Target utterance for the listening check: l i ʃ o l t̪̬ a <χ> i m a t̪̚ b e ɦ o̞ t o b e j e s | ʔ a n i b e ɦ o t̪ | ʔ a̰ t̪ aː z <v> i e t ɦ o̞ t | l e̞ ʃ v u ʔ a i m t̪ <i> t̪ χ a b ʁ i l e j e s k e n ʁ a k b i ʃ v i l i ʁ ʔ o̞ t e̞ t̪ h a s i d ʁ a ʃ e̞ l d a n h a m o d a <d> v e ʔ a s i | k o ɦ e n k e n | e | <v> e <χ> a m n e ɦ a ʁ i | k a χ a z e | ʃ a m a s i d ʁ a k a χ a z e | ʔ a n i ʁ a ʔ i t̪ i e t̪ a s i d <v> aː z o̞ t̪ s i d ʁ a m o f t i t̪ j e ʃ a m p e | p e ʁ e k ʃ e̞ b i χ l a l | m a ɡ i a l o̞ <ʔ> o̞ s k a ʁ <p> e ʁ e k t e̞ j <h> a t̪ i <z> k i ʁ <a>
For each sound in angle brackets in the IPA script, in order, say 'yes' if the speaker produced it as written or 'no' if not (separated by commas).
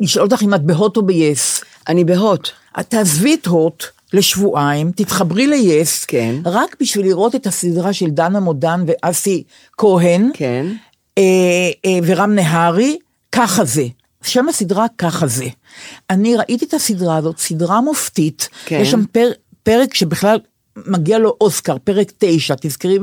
yes, yes, yes, no, yes, no, no, yes, yes, no, yes, no